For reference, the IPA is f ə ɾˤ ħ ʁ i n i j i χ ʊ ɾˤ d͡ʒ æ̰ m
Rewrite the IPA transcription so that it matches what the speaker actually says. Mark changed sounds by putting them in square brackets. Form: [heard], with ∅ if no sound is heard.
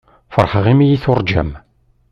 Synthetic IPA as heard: f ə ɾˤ ħ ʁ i [m] i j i [θ] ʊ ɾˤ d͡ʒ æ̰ m